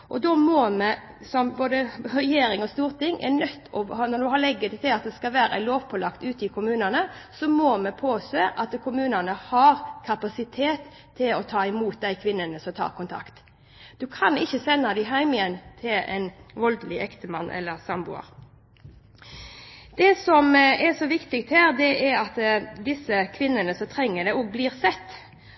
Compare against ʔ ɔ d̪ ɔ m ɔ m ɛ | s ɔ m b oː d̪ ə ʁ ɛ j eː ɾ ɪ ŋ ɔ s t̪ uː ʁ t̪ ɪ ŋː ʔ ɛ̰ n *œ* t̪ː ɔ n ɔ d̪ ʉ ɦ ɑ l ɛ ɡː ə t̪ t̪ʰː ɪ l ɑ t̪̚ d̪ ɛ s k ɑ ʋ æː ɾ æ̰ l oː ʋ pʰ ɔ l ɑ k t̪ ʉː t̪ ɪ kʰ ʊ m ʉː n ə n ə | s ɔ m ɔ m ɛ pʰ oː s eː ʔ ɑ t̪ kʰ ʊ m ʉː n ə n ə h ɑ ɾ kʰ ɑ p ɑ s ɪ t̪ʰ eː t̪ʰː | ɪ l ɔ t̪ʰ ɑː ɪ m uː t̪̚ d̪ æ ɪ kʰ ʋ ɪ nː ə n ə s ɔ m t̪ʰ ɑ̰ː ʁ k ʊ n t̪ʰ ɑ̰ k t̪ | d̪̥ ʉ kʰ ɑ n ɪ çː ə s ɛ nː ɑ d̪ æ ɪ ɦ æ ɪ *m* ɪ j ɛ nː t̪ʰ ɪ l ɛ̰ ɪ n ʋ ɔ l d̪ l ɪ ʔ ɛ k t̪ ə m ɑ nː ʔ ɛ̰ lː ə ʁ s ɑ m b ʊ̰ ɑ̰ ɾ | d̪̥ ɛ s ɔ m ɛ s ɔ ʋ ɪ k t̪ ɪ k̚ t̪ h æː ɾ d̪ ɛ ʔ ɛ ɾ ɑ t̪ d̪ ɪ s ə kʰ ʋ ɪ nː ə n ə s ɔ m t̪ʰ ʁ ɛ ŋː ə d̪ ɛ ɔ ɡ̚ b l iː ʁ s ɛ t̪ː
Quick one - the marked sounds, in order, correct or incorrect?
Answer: correct, correct

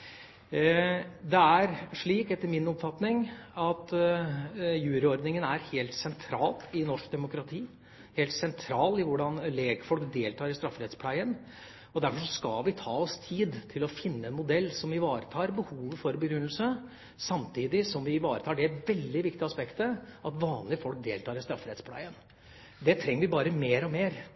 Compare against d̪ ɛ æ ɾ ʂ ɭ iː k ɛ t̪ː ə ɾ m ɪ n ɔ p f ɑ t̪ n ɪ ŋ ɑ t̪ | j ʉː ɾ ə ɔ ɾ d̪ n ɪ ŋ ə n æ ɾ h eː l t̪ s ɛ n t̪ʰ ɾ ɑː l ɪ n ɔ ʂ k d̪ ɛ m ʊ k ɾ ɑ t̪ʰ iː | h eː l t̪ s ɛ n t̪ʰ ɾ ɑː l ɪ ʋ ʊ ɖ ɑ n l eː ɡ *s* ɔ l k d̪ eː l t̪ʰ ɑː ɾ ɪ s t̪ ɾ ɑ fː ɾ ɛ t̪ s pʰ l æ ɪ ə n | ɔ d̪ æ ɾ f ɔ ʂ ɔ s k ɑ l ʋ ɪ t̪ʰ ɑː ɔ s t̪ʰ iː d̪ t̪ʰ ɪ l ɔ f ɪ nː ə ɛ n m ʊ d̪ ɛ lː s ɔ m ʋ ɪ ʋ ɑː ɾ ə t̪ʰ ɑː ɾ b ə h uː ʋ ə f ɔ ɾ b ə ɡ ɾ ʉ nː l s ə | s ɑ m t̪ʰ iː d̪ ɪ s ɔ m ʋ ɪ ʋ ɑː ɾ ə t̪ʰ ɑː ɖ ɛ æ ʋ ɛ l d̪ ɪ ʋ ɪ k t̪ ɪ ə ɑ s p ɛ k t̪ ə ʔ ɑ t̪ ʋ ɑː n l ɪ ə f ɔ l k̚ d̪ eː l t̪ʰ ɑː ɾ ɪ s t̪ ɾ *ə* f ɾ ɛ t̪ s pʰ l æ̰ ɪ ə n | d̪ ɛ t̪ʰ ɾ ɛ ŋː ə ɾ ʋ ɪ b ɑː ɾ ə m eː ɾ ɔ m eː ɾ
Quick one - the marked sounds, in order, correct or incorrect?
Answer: incorrect, incorrect

